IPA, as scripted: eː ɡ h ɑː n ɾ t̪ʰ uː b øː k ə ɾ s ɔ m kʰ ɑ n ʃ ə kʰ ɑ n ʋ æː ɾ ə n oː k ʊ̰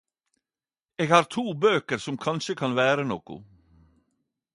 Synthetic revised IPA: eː ɡ h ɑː ɾ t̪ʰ uː b øː k ə ɾ s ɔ m kʰ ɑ n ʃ ə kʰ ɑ n ʋ æː ɾ ə n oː k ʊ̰